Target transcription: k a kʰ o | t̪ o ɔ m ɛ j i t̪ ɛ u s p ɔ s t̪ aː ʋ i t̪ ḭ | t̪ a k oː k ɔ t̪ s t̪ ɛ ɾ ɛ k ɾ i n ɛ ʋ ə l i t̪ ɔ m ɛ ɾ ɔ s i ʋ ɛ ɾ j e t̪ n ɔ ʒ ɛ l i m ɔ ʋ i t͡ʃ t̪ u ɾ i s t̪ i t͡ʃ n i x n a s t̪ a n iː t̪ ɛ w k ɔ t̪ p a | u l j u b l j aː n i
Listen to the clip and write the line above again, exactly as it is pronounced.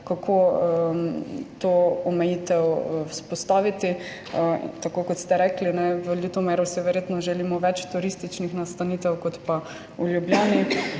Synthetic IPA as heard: k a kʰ o | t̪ o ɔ m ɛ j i t̪ ɛ w s p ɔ s t̪ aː ʋ i t̪ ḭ | t̪ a k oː k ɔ t̪ s t̪ ɛ ɾ ɛ k l i n ɛ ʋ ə l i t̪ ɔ m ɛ ɾ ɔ s i ʋ ɛ ɾ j e t̪ n ɔ ʒ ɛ l i m ɔ ʋ ɛ t͡ʃ t̪ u ɾ i s t̪ i t͡ʃ n i x n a s t̪ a n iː t̪ ɛ w k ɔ t̪ p a | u l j u b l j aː n i